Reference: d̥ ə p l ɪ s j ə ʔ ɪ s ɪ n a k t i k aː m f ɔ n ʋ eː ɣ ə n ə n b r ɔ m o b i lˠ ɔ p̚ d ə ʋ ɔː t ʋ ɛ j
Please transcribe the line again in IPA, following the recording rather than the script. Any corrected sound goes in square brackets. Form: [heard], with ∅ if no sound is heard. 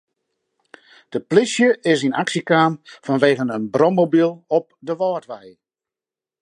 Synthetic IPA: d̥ ə p l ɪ s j ə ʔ ɪ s [i] n a k [s] i k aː m f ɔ n ʋ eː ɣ ə n ə n b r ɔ m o b i lˠ ɔ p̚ d ə ʋ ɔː t ʋ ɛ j